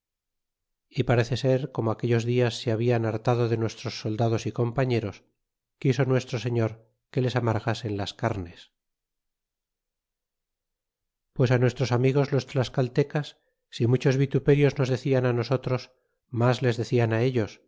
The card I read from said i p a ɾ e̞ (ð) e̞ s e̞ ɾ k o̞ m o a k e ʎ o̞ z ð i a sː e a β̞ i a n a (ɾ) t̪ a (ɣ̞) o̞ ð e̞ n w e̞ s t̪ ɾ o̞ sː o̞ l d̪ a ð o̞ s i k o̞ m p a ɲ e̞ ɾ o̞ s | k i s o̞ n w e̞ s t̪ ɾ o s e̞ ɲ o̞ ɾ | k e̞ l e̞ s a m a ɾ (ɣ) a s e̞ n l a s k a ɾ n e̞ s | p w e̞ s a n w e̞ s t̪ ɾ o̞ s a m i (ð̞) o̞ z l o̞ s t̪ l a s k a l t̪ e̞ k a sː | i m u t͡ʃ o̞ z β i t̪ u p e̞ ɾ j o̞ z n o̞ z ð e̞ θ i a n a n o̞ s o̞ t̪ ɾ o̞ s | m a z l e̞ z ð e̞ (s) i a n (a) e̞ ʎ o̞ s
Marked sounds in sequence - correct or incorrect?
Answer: incorrect, correct, incorrect, correct, incorrect, incorrect, correct

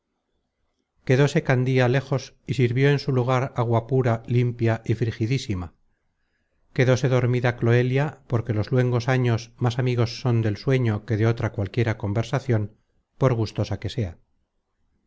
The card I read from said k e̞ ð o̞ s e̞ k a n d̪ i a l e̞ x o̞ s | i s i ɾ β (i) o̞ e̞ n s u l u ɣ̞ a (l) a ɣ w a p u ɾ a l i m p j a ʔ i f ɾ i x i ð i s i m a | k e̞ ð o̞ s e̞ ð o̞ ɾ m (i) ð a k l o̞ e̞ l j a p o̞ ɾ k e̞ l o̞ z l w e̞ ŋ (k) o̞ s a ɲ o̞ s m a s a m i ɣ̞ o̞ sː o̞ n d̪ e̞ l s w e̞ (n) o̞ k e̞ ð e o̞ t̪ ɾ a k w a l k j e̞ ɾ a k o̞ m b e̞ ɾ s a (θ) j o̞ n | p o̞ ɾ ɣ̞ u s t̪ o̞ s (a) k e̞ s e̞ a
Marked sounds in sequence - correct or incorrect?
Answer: incorrect, incorrect, correct, incorrect, incorrect, correct, correct

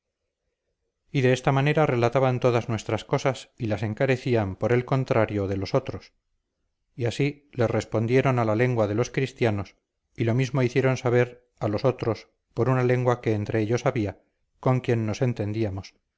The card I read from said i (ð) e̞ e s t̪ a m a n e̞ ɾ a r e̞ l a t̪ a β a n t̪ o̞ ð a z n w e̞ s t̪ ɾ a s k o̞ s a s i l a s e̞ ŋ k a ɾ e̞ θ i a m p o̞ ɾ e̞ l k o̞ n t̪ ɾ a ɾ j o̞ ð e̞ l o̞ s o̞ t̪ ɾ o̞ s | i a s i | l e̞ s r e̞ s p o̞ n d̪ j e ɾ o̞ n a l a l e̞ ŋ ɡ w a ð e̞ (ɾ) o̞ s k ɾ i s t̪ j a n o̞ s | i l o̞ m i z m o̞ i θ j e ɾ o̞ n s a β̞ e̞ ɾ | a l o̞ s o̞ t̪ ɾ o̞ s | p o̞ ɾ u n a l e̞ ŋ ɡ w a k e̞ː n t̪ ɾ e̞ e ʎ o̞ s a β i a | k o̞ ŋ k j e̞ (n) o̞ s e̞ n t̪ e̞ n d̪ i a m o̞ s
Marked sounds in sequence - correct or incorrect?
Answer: correct, incorrect, incorrect

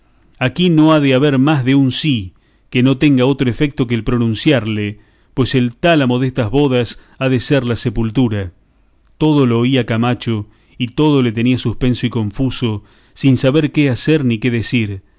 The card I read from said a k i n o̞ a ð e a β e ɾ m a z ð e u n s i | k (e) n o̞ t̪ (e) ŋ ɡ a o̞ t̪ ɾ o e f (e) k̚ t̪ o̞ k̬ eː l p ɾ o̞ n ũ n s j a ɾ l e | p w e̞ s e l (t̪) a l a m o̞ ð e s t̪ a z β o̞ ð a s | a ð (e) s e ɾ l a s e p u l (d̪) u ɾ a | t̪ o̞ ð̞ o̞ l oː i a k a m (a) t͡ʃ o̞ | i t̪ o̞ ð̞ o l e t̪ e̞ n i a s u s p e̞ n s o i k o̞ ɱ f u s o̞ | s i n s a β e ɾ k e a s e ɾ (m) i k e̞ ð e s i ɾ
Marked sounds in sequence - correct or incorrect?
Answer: correct, correct, correct, correct, correct, incorrect, correct, incorrect

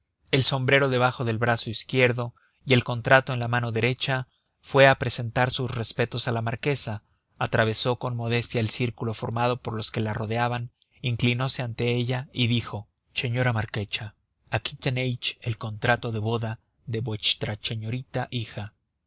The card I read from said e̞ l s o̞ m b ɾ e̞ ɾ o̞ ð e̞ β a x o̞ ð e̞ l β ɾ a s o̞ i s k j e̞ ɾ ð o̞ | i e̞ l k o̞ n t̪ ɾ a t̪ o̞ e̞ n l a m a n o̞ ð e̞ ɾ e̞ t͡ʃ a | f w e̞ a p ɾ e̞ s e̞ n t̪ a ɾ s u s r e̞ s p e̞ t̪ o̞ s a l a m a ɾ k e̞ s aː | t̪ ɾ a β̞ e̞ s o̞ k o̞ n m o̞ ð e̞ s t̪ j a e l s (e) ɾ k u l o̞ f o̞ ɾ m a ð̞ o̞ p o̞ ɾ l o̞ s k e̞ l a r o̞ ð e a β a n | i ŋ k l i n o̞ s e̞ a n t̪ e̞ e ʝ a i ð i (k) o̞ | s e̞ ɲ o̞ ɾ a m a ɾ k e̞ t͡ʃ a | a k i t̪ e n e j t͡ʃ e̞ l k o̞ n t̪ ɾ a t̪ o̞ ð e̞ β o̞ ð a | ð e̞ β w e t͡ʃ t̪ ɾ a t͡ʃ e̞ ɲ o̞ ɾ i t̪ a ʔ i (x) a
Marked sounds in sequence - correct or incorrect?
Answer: incorrect, incorrect, correct

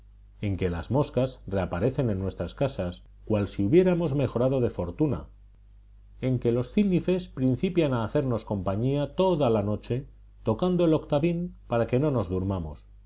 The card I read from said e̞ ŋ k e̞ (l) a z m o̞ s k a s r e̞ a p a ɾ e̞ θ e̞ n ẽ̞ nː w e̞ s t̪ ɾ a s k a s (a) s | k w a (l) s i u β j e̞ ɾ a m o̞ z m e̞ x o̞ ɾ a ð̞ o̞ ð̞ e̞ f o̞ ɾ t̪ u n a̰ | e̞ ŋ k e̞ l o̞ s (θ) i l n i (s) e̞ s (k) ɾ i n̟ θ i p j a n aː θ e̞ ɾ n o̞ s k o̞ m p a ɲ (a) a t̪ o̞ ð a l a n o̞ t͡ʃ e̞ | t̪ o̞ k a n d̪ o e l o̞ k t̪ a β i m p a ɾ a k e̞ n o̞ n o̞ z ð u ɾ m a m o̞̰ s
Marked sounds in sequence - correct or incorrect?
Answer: correct, correct, correct, correct, incorrect, incorrect, incorrect

